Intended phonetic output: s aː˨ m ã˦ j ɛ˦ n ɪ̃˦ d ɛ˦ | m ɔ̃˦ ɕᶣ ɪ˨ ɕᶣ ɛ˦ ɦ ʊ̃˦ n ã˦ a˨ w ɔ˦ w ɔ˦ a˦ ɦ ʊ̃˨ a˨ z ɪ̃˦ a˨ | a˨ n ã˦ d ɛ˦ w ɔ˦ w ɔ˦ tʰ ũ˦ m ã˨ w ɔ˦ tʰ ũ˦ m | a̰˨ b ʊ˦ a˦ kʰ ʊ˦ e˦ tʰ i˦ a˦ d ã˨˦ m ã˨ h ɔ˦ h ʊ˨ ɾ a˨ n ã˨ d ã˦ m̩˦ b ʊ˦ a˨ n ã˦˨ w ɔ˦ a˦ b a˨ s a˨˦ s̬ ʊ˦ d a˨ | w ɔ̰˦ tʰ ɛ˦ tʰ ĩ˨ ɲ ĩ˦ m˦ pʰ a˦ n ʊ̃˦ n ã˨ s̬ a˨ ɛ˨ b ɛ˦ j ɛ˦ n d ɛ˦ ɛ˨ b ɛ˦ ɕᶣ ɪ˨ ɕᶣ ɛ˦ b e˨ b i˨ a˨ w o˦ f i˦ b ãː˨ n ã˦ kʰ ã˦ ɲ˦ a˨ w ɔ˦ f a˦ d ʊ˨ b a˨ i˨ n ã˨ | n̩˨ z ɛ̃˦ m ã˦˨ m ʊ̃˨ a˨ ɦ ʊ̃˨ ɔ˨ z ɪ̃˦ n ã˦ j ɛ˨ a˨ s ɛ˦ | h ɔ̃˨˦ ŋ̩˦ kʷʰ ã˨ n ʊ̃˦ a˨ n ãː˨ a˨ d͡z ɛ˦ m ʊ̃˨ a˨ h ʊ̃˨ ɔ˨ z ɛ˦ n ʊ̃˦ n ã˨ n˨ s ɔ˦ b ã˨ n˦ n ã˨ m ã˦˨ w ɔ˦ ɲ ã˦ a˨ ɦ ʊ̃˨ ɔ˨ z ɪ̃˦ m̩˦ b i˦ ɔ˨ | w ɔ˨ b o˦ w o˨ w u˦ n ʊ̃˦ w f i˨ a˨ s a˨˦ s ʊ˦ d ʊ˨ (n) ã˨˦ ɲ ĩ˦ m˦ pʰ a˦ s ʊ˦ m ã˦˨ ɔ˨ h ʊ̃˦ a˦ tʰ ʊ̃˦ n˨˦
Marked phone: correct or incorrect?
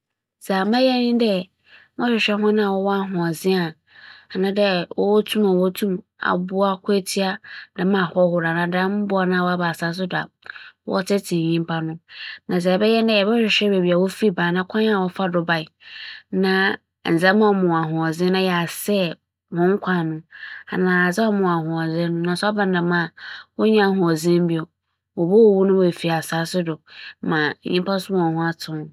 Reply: incorrect